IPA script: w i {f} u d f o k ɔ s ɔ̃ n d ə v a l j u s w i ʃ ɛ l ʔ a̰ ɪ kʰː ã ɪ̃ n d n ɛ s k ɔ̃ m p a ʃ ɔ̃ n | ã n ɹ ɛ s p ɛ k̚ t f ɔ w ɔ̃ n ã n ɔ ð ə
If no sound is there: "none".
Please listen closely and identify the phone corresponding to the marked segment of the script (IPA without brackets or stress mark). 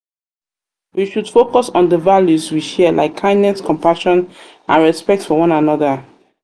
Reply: ʃ